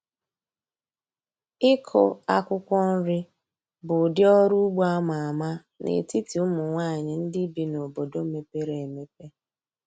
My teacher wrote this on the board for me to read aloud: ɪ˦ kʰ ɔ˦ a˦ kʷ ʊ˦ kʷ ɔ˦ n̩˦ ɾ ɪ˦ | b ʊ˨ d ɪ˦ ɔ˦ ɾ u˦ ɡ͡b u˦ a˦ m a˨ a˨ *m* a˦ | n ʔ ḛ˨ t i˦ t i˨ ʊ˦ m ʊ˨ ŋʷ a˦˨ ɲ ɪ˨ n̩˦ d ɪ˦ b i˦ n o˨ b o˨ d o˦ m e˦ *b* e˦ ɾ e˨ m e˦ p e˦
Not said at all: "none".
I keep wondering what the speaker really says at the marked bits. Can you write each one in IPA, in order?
m, p

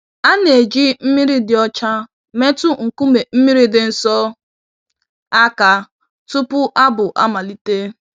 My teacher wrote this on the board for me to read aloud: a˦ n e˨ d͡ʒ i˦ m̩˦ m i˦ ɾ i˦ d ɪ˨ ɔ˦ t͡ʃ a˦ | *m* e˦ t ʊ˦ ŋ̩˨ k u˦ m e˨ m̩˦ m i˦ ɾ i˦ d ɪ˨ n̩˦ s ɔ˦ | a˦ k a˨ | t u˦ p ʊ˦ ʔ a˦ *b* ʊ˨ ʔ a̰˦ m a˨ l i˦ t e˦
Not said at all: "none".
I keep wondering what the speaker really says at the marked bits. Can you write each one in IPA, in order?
m, b

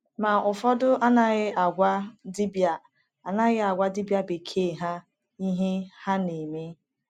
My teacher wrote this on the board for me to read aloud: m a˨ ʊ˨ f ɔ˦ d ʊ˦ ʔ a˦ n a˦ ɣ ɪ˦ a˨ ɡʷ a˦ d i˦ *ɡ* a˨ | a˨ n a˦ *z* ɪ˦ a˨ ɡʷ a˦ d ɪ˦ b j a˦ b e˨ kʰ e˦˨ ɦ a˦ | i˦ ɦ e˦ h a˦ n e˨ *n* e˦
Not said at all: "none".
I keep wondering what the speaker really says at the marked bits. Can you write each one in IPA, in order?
b, ɣ, m

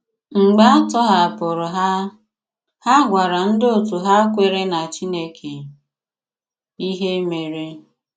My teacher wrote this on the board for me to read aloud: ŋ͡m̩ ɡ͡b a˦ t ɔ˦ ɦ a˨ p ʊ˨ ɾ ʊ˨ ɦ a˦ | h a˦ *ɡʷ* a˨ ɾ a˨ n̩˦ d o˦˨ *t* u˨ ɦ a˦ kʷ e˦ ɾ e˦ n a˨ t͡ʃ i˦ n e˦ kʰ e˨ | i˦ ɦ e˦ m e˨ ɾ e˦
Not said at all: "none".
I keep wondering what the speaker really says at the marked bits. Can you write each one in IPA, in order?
ɡʷ, t

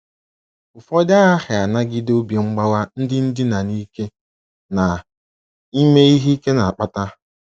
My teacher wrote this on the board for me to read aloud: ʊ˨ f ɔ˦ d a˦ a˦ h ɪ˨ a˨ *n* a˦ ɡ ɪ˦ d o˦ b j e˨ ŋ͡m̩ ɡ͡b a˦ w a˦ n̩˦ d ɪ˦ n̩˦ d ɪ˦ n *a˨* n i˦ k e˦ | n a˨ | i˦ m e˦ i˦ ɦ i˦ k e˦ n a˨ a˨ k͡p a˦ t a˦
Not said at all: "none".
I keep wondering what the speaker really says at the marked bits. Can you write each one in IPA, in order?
n, a˨

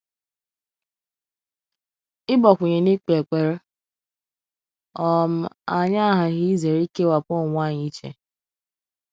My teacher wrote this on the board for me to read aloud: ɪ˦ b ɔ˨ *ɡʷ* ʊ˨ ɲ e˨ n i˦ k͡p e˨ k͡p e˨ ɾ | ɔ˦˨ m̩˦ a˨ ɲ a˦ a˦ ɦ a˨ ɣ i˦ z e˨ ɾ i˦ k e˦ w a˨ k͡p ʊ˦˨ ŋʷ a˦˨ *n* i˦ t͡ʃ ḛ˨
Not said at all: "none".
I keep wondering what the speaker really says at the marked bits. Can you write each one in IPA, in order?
kʷ, ɲ

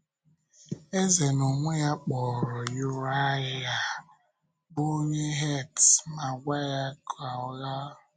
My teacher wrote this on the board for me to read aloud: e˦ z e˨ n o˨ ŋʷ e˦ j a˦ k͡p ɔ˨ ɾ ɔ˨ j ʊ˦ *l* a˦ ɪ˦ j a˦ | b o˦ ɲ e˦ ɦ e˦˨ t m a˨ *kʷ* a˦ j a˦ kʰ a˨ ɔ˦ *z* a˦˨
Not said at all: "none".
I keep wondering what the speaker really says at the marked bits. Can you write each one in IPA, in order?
ɾ, ɡʷ, ɣ

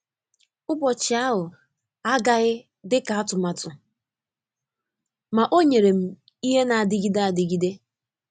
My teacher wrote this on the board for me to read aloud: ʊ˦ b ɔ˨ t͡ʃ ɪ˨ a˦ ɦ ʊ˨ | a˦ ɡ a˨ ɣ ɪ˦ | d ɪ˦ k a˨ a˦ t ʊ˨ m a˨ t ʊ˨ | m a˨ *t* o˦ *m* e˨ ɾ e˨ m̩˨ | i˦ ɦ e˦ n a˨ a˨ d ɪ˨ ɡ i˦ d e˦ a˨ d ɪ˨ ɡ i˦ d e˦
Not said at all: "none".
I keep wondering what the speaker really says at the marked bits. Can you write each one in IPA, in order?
ʔ, ɲ

